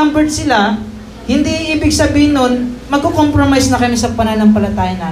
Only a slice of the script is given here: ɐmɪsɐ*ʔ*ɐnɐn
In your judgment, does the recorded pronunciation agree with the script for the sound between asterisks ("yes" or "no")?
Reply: no